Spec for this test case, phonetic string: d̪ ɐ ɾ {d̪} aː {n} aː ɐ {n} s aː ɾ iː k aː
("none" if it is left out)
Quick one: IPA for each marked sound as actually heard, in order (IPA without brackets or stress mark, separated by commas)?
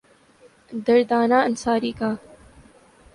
d̪, n, n